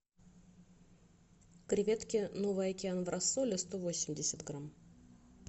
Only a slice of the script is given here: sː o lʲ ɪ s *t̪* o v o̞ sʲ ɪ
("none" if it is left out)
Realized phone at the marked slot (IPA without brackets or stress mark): t̪